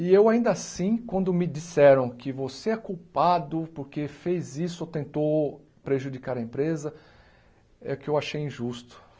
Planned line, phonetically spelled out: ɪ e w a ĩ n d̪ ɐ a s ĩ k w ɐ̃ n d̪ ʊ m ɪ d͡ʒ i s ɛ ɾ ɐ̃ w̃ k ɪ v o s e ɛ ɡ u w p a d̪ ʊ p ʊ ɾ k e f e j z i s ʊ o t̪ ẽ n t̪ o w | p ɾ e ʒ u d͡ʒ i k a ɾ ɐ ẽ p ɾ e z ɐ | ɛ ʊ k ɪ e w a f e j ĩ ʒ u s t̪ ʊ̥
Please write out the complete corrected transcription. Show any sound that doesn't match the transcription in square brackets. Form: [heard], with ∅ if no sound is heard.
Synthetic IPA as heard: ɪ e w a ĩ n d̪ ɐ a s ĩ k w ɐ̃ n d̪ ʊ m ɪ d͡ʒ i s ɛ ɾ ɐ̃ w̃ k ɪ v o s e ɛ [k] u w p a d̪ ʊ p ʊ ɾ k e f e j z i s ʊ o t̪ ẽ n t̪ o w | p ɾ e ʒ u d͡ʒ i k a ɾ ɐ ẽ p ɾ e z ɐ | ɛ ʊ k ɪ e w a [ʃ] e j ĩ ʒ u s t̪ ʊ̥